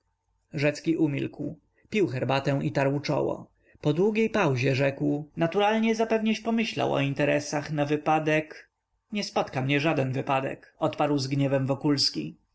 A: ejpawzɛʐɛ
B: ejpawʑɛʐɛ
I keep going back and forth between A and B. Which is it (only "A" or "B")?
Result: B